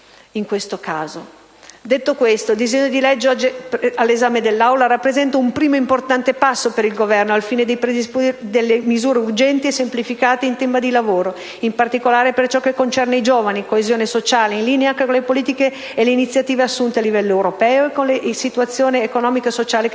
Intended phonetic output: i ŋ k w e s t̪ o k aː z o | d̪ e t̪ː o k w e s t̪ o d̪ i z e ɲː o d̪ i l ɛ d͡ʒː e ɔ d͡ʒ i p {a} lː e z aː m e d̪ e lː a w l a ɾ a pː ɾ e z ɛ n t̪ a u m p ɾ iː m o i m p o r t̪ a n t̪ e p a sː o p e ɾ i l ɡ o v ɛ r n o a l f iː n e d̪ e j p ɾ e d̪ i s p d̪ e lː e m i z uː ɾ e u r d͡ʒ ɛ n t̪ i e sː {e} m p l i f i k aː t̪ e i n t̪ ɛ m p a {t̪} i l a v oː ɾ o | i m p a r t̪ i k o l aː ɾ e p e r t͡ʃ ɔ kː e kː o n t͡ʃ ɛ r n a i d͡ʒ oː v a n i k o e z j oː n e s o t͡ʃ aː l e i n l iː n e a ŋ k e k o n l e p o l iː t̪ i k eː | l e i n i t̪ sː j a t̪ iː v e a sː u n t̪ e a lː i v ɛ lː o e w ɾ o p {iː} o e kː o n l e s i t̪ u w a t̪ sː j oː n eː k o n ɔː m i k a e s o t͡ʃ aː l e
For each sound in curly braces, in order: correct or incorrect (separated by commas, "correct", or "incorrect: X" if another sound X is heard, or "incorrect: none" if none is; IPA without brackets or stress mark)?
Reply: correct, correct, incorrect: d̪, incorrect: ɛː